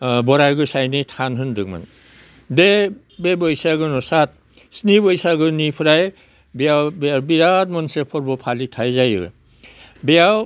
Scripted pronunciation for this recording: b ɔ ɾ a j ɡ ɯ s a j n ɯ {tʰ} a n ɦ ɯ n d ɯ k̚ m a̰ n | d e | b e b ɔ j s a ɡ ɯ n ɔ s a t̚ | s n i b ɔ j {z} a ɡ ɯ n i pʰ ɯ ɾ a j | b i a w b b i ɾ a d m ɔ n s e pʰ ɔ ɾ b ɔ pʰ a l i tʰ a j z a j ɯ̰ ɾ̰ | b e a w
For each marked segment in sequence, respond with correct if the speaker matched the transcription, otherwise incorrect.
correct, incorrect: s

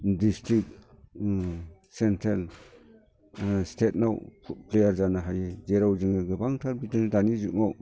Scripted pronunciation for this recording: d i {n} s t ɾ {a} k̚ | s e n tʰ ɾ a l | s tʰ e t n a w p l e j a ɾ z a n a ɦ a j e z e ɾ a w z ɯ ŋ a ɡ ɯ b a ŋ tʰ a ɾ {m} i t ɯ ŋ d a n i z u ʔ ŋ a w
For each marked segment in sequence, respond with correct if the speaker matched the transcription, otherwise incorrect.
incorrect: none, incorrect: i, incorrect: b

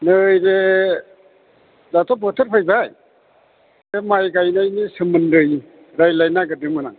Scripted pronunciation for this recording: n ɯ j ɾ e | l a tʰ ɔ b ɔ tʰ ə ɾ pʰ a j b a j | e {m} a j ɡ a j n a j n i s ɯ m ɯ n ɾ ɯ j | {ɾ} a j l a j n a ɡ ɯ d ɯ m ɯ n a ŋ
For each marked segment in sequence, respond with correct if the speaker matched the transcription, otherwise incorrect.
correct, correct

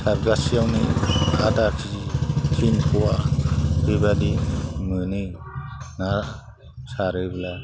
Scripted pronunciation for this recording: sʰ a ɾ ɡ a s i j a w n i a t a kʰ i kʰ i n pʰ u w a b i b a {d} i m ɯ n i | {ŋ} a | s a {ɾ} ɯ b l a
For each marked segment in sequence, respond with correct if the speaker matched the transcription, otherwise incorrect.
correct, incorrect: n, correct

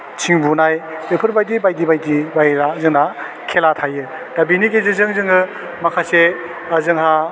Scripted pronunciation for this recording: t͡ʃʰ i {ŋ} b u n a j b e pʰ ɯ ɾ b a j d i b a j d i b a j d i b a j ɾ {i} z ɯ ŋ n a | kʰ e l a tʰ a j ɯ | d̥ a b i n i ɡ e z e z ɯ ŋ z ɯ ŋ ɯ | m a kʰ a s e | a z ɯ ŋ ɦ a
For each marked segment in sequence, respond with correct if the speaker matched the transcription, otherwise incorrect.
correct, incorrect: a

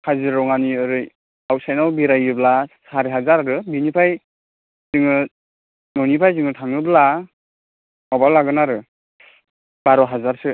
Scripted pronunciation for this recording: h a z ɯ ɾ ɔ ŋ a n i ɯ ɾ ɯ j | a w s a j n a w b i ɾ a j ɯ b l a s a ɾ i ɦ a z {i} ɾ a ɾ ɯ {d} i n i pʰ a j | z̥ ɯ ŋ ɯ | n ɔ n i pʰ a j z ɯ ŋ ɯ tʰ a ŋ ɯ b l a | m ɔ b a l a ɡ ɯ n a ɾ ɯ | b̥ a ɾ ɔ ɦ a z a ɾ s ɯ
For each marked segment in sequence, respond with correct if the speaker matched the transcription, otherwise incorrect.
incorrect: a, incorrect: b

